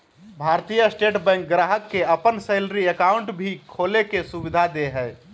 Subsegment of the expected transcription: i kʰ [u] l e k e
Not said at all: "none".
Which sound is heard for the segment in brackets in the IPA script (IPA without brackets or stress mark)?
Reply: o